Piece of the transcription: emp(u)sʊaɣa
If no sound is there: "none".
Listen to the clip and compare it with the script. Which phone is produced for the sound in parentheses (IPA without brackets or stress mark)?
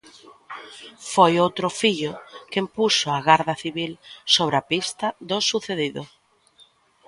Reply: u